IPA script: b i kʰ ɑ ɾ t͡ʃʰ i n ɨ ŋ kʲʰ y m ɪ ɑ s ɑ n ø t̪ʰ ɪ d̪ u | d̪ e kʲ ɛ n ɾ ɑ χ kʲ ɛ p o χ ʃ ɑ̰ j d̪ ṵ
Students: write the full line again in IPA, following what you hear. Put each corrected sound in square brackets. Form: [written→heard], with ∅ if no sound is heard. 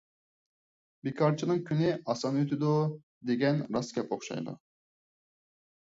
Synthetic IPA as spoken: b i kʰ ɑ ɾ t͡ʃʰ i n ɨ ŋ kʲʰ y [m→n] ɪ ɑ s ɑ n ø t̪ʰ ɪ d̪ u | d̪ e [kʲ→ɡʲ] ɛ n ɾ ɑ [χ→s] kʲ ɛ p o χ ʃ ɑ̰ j d̪ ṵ